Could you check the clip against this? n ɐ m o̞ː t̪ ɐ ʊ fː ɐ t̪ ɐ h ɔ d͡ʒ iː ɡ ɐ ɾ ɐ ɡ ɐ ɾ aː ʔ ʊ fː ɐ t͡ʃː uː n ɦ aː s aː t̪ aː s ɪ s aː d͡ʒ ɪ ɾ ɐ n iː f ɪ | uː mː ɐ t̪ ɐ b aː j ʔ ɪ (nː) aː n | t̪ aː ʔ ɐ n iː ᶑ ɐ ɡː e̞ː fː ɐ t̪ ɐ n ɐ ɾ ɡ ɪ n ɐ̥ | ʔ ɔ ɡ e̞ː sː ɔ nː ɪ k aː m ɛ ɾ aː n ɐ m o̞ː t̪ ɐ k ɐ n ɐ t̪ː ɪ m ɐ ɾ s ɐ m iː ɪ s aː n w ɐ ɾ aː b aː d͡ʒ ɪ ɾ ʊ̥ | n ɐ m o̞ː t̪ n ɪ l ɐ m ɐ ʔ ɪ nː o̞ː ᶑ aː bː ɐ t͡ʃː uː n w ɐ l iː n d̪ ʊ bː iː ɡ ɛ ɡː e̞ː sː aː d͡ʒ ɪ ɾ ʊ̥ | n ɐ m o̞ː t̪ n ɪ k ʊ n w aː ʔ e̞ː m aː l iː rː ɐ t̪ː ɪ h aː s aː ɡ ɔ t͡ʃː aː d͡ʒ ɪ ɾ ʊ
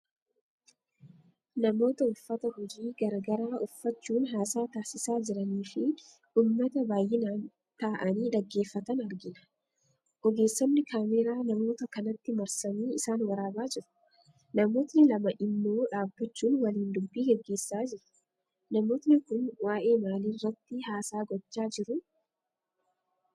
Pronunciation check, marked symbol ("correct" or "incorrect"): incorrect